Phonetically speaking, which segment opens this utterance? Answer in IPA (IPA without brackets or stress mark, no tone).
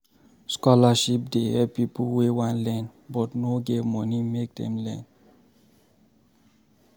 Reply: s